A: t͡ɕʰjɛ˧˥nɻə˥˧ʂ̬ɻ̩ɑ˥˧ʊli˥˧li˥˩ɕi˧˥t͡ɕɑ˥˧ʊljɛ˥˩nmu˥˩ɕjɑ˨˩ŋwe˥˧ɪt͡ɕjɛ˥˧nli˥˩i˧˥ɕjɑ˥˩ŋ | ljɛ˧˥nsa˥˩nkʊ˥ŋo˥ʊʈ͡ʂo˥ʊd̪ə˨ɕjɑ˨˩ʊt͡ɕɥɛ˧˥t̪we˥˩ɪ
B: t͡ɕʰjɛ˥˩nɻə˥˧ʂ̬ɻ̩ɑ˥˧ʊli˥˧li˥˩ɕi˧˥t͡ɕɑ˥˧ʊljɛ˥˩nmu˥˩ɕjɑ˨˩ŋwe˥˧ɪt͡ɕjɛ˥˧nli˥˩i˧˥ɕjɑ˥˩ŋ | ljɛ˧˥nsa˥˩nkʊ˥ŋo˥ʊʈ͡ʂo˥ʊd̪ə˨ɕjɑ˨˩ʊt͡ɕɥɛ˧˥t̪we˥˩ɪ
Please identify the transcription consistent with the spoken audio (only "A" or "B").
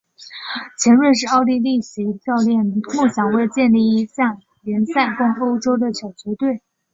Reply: A